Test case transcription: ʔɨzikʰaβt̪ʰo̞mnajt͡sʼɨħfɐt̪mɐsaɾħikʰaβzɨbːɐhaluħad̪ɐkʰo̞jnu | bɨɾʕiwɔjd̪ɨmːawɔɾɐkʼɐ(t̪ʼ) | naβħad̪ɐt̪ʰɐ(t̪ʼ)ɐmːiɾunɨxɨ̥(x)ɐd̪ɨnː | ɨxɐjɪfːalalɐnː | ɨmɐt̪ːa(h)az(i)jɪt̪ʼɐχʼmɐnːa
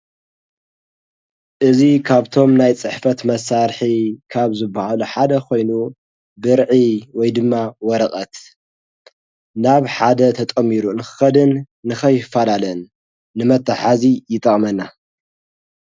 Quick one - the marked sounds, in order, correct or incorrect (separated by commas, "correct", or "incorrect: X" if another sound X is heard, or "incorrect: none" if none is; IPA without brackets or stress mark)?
incorrect: t̪, correct, correct, incorrect: ħ, correct